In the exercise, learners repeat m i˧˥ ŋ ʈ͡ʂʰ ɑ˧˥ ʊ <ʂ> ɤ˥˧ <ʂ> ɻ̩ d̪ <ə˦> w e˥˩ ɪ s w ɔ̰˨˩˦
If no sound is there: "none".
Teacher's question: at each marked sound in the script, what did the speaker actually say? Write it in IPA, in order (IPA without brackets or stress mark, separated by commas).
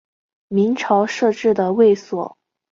ʂ, ʈ͡ʂ, ə˩